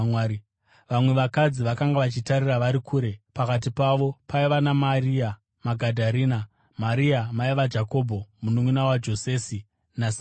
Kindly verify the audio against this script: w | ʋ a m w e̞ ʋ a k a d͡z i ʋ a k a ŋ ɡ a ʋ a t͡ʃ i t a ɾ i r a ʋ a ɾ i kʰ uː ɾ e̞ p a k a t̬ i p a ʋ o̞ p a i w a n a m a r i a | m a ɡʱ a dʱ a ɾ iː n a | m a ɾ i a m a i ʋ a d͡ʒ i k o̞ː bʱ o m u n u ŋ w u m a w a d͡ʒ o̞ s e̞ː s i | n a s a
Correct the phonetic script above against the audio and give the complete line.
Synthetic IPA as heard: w | ʋ a m w e̞ ʋ a k a d͡z i ʋ a k a ŋ ɡ a ʋ a t͡ʃ i t a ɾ i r a ʋ a ɾ i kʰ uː ɾ e̞ p a k a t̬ i p a ʋ o̞ p a i ʋ a n a m a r i a | m a ɡʱ a dʱ a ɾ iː n a | m a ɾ i a m a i ʋ a d͡ʒ a k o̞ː bʱ o m u n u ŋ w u n a w a d͡ʒ o̞ s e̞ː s i | n a s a